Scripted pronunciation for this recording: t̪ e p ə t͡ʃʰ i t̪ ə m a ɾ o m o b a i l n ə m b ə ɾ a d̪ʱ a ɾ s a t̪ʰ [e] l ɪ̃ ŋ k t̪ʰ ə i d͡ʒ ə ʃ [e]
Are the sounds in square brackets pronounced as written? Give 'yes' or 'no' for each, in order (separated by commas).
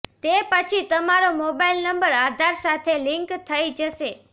yes, yes